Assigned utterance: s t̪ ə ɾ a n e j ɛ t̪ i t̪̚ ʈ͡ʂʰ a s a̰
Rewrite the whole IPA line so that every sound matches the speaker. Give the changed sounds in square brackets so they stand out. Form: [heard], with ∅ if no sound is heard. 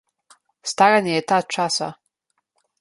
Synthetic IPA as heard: s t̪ [a] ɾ a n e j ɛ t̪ [a] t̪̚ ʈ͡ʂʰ a s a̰